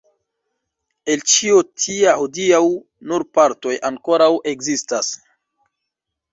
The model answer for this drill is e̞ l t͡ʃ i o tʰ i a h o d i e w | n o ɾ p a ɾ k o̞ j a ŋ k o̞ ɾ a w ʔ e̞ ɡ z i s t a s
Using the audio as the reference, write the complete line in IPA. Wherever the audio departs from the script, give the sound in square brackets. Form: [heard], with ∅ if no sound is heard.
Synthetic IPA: e̞ l t͡ʃ i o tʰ i a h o d i [a] w | n [u] ɾ p a ɾ [t] o̞ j a ŋ k o̞ ɾ a w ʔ e̞ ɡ z i s t a s